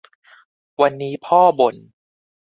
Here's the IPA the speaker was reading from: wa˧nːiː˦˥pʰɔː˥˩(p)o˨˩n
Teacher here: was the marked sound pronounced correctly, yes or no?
no